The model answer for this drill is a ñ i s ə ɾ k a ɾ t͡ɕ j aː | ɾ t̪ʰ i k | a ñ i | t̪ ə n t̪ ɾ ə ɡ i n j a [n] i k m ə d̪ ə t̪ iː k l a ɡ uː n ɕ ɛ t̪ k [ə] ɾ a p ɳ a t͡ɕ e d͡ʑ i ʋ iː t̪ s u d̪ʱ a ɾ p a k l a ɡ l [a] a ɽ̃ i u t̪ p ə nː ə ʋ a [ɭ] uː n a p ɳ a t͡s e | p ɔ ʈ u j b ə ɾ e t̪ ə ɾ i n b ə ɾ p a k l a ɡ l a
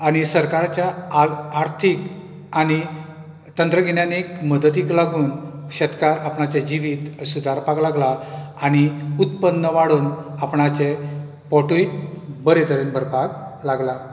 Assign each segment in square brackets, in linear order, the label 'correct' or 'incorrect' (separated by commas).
correct, incorrect, correct, incorrect